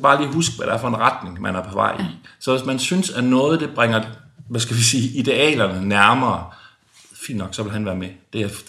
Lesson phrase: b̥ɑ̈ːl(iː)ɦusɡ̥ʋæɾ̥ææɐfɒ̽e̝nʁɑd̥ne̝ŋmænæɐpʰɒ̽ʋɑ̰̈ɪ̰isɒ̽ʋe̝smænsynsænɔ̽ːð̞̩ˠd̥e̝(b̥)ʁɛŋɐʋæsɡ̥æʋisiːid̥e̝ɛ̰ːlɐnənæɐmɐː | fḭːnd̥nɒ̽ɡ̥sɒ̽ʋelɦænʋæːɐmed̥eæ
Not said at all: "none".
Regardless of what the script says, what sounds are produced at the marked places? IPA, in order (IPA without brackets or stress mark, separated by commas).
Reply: iː, b̥